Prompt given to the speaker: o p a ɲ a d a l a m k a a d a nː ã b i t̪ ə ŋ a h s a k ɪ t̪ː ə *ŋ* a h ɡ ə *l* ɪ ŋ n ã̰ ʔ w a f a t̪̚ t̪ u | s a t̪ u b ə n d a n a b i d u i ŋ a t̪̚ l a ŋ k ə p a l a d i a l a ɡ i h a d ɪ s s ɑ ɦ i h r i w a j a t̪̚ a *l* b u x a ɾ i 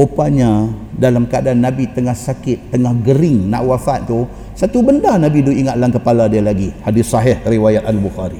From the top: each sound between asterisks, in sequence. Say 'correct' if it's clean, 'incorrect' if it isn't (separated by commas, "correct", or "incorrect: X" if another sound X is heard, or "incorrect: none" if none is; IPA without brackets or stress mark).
correct, incorrect: ɾ, correct